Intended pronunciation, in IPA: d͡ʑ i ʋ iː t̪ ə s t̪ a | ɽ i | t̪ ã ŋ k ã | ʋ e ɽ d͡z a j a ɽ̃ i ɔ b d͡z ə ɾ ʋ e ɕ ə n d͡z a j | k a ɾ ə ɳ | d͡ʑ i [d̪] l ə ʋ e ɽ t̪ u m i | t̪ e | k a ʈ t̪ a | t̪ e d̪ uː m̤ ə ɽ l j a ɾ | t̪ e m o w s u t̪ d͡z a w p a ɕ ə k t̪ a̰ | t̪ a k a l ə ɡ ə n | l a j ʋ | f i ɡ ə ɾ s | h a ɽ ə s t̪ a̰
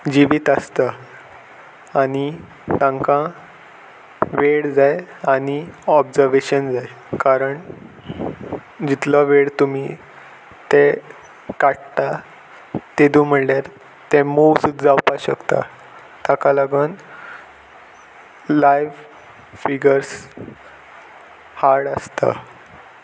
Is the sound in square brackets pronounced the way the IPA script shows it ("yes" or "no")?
no